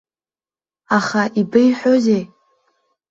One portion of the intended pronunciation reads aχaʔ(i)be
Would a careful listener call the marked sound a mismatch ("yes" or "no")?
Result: no